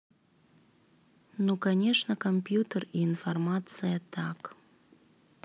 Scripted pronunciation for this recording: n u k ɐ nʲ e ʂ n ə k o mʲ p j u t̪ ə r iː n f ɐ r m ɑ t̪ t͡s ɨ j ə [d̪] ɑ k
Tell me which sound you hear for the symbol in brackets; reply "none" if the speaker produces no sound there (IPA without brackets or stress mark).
t̪